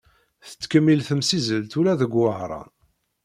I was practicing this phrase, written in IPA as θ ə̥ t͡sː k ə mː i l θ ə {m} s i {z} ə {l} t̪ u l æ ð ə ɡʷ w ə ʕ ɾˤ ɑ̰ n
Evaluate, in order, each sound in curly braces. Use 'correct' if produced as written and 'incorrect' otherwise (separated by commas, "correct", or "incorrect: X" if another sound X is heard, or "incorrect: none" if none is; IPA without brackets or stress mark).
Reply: correct, correct, correct